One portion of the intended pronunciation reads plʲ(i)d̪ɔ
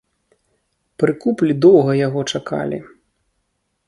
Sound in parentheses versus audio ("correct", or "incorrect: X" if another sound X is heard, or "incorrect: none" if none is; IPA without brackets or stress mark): correct